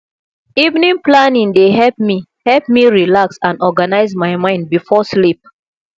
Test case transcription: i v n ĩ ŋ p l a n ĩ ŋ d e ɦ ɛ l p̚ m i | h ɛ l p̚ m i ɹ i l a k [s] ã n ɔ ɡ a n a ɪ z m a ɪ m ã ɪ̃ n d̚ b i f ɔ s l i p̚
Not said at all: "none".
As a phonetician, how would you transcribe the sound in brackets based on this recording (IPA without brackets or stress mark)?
s